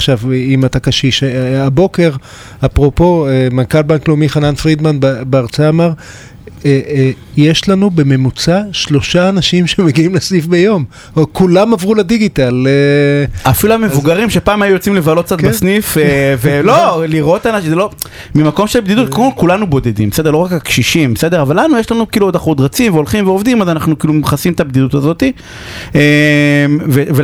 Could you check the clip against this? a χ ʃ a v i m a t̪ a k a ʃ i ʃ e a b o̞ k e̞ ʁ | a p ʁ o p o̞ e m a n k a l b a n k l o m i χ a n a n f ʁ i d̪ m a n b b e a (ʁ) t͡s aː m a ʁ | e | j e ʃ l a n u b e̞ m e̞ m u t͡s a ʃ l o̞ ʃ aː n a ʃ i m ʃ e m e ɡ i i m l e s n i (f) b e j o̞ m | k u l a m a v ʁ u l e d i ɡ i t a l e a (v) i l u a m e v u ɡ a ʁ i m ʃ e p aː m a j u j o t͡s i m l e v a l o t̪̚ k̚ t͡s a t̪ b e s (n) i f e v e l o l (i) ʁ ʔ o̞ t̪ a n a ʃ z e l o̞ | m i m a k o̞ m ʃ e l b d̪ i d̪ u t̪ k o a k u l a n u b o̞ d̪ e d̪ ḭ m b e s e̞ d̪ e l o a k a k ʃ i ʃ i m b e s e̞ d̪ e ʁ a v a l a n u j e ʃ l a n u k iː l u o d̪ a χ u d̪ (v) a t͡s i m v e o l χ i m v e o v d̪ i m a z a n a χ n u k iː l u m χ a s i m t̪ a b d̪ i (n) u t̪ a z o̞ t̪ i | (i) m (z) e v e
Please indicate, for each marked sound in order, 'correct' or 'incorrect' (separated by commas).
correct, correct, incorrect, correct, correct, incorrect, incorrect, incorrect, incorrect